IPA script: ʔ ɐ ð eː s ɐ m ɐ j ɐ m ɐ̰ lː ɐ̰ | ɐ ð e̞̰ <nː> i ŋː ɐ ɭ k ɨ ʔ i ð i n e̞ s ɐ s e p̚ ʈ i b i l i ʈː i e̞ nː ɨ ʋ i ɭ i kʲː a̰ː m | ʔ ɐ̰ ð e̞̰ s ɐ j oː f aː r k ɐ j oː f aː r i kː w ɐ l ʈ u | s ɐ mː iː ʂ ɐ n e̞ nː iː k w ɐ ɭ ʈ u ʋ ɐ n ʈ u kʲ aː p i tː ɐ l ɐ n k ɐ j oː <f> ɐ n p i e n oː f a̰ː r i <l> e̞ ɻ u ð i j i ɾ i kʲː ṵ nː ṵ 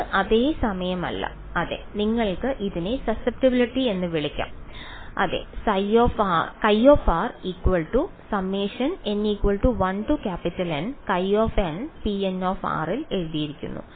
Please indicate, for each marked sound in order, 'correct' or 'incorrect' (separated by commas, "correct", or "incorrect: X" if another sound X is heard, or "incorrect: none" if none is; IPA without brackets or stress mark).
incorrect: n, correct, correct